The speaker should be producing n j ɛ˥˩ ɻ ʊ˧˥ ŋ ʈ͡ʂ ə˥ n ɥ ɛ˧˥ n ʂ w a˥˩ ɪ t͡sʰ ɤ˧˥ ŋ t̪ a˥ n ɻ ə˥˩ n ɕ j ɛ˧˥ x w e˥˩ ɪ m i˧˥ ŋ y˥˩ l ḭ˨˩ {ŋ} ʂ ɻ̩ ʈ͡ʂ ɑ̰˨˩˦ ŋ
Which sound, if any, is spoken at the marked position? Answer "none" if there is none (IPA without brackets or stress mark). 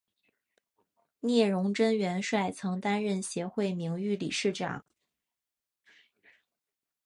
none